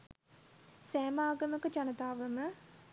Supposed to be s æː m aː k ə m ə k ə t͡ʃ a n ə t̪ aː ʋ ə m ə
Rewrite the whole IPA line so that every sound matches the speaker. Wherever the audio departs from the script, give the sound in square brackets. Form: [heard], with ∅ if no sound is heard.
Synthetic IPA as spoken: s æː m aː [ɡ] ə m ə k ə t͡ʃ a n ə t̪ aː ʋ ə m ə